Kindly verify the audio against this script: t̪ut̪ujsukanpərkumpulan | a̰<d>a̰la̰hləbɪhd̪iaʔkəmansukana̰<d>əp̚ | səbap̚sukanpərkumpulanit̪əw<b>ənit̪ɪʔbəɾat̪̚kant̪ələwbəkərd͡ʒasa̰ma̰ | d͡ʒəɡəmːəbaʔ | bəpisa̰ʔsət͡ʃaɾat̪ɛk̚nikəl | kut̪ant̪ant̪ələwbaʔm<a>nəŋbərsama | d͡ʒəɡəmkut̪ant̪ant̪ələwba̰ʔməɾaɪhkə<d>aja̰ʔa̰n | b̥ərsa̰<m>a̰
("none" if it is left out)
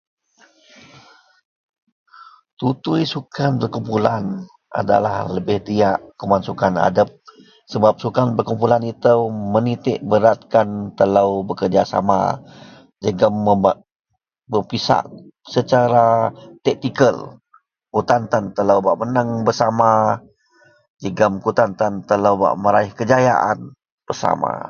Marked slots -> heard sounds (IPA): d, d, m, ə, d͡ʒ, m

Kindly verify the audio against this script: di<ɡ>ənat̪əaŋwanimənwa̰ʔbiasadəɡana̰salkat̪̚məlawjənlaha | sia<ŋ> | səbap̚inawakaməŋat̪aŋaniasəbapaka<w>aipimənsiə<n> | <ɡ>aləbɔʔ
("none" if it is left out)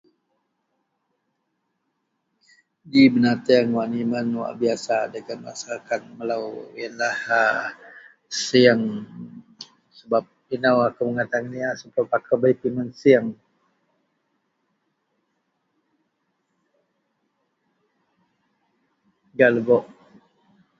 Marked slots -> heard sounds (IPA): b, ŋ, b, ŋ, ɡ

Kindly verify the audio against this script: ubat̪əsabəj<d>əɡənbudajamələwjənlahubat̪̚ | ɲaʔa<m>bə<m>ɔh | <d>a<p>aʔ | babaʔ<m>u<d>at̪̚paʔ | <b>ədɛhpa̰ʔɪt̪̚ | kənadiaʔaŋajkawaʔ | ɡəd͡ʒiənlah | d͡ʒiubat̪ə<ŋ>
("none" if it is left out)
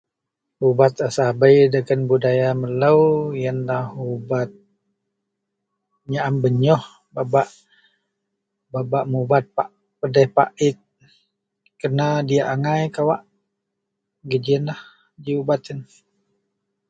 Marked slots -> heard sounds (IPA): d, m, ɲ, b, b, m, b, p, n

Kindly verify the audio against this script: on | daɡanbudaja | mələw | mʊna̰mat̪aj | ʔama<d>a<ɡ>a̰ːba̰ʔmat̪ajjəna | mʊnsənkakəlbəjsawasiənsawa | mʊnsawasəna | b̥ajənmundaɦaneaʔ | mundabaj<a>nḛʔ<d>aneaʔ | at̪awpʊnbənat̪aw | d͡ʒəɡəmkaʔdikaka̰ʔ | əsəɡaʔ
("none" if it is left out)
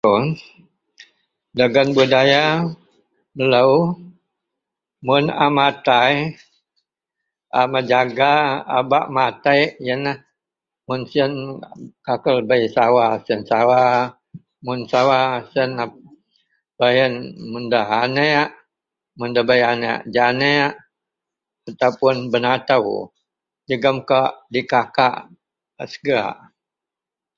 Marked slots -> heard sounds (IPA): d͡ʒ, ɡ, a, d͡ʒ

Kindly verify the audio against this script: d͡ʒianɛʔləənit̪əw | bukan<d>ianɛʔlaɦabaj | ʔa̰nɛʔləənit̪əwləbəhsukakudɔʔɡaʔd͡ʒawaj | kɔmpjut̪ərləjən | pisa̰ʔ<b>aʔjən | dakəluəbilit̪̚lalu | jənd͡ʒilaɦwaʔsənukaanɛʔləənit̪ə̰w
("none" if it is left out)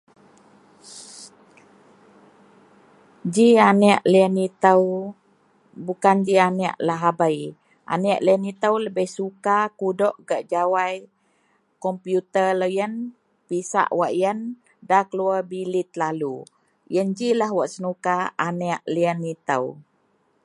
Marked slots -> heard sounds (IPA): d͡ʒ, w

